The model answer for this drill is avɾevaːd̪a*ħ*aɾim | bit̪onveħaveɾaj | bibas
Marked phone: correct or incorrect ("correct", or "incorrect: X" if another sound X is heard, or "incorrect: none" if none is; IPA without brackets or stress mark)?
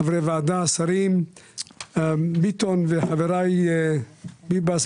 incorrect: s